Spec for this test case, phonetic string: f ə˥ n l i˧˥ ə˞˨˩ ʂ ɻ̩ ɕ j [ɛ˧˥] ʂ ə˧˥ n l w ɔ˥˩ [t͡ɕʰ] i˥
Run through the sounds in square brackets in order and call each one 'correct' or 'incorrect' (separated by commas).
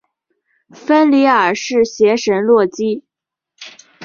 correct, incorrect